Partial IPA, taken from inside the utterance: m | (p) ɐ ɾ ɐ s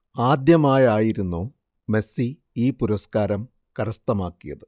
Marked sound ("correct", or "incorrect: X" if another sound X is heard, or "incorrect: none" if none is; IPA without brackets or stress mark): incorrect: k